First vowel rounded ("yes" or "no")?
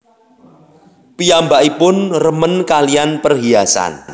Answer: no